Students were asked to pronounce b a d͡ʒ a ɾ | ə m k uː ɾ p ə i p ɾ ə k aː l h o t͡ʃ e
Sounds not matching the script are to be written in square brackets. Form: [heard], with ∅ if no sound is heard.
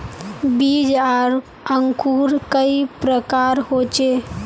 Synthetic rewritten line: b [i] d͡ʒ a ɾ | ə [ŋ] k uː ɾ [k] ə i p ɾ ə k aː [ɾ] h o t͡ʃ e